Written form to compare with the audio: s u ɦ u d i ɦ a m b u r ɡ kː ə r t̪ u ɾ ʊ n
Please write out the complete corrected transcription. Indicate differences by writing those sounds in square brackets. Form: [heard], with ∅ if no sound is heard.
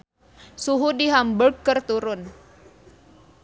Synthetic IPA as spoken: s u ɦ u d i ɦ a m b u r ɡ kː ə r t̪ u ɾ ʊ n